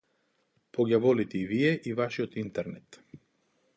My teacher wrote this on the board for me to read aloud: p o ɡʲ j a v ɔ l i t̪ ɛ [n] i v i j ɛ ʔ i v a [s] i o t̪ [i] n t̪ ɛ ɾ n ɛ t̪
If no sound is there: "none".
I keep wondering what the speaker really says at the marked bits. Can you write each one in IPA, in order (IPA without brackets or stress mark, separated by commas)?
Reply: none, ʃ, i